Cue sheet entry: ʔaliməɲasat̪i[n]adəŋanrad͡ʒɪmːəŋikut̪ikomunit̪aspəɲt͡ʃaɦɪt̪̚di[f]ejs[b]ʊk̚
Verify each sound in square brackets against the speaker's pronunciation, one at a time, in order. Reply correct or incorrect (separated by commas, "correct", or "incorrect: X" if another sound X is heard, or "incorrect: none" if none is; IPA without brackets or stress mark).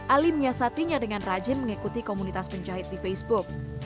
incorrect: ɲ, correct, correct